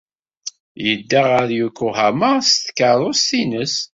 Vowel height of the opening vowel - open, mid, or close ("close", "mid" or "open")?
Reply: mid